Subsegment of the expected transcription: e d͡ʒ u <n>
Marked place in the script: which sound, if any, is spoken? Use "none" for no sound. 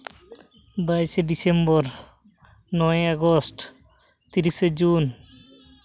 n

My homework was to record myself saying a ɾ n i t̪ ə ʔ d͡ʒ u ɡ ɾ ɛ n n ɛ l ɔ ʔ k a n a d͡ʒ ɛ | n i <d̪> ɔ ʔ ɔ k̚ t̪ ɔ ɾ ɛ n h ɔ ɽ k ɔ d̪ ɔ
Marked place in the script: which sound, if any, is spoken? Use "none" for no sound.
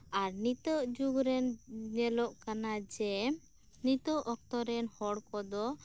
t̪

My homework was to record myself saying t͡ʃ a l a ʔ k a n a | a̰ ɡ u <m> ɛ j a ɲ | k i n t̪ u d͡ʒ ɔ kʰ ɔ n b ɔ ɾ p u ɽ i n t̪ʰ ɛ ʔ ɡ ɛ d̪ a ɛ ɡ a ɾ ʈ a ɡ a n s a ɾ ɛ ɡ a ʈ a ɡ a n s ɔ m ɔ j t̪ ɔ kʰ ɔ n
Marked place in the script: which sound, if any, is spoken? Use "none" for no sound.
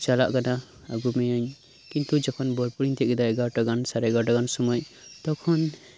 m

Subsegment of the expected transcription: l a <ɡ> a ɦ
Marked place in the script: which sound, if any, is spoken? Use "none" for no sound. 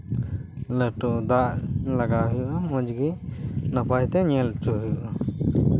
ɡ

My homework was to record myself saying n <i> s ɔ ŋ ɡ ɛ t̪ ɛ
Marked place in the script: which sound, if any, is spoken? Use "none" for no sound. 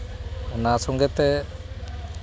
a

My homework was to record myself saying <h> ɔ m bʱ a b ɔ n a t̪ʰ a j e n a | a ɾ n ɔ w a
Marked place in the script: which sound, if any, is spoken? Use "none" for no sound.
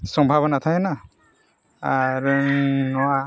s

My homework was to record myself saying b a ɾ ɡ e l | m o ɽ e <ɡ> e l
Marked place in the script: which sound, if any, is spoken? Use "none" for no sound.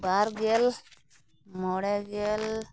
ɡ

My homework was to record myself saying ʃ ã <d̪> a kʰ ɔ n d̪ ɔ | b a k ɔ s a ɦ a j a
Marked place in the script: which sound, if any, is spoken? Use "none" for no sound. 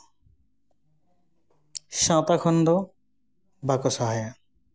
t̪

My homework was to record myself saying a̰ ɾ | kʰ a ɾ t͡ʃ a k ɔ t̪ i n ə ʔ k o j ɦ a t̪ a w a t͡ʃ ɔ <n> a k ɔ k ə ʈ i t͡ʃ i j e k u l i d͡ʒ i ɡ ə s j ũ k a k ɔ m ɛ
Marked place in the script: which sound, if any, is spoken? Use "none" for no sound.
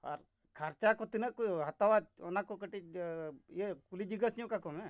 n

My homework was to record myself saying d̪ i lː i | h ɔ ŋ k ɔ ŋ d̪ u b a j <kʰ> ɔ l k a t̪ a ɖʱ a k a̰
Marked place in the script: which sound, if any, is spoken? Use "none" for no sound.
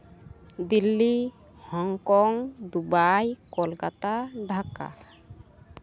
k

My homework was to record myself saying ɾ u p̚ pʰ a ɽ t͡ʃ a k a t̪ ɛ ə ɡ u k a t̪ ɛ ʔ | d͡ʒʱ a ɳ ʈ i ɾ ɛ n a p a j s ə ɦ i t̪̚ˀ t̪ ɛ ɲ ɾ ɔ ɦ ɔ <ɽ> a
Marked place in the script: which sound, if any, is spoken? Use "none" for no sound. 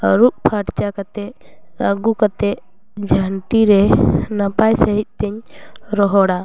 ɽ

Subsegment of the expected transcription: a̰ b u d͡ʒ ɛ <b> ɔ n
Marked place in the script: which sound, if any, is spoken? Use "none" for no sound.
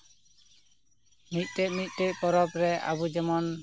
m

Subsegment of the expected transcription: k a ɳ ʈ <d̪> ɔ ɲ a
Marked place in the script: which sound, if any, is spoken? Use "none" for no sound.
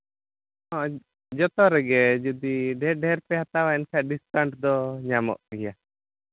d̪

